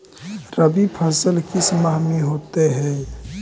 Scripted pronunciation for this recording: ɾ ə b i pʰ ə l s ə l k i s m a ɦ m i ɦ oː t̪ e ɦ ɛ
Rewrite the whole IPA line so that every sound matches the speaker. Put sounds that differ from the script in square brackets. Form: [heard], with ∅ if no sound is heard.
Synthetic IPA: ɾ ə b i pʰ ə [∅] s ə l k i s m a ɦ m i ɦ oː t̪ e ɦ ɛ